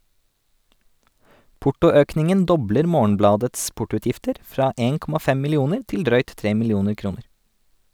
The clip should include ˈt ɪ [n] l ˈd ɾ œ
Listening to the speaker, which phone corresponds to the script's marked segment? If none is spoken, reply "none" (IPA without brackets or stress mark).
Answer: none